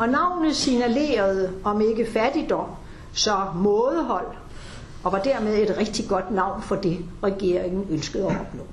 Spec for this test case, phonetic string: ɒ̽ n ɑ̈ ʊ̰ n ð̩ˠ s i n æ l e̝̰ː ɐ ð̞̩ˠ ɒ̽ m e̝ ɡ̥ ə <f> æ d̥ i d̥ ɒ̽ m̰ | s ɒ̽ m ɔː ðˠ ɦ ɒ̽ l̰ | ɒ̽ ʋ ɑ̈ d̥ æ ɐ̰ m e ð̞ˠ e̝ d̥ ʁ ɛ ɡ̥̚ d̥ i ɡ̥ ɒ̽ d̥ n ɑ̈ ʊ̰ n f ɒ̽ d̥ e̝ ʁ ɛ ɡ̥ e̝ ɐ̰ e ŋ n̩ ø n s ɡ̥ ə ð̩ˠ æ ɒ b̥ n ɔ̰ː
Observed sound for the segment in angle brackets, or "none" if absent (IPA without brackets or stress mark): f